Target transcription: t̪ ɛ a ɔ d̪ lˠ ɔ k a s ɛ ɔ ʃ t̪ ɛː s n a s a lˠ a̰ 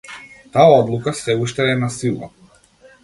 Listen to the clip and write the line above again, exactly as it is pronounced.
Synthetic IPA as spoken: t̪ a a ɔ d̪ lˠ u k a s ɛ u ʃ t̪ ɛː n a s i lˠ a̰